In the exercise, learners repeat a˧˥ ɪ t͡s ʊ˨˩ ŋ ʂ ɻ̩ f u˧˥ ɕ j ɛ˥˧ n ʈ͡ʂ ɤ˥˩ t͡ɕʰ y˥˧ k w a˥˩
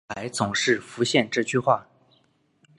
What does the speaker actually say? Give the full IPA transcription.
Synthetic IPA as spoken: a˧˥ ɪ t͡s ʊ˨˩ ŋ ʂ ɻ̩ f u˧˥ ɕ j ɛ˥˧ n ʈ͡ʂ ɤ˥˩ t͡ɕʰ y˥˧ x w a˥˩